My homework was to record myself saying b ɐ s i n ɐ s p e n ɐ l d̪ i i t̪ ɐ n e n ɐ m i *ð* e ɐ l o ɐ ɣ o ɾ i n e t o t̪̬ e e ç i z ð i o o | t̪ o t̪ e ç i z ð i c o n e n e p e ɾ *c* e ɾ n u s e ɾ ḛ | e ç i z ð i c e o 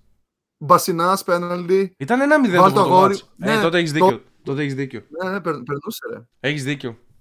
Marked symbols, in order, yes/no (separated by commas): yes, no